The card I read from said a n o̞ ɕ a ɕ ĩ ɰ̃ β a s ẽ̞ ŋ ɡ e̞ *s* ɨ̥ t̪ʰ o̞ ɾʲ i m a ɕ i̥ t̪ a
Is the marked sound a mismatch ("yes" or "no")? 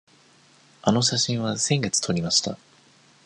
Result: yes